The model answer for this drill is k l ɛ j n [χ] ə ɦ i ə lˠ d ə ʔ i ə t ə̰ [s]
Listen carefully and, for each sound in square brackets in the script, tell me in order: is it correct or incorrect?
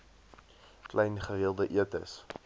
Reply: correct, correct

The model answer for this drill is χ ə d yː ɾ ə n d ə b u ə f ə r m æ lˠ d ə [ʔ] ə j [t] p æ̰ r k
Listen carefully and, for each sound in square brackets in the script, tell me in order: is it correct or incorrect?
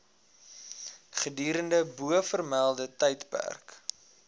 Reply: incorrect: t, correct

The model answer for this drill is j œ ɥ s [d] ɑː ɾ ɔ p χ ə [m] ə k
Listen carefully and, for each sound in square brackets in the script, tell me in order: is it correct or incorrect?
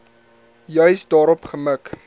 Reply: correct, correct

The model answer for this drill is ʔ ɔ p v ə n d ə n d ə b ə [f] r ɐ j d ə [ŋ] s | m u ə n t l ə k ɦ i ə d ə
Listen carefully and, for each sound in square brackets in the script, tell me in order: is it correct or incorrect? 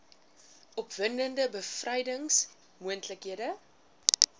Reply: correct, correct

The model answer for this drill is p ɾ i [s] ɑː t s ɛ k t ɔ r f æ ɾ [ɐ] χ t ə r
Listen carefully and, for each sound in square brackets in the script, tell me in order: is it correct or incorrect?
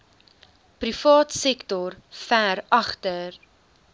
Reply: incorrect: f, correct

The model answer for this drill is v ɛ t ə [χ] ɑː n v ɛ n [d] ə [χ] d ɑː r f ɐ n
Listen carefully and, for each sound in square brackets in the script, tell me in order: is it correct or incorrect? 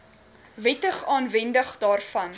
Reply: correct, correct, correct

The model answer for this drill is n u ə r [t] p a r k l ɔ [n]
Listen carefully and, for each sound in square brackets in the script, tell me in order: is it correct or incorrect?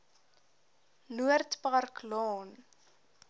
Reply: correct, correct

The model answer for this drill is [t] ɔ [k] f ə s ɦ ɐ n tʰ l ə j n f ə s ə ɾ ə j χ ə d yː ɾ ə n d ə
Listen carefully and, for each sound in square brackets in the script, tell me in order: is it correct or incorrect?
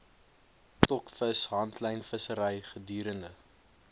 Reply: correct, correct

